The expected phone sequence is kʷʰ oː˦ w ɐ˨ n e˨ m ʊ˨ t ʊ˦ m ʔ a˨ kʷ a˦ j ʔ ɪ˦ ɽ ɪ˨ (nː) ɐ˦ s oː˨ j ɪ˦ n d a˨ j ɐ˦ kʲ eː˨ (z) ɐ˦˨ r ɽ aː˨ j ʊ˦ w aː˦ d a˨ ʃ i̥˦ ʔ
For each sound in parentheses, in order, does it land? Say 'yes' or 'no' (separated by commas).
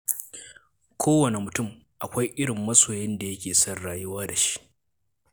no, no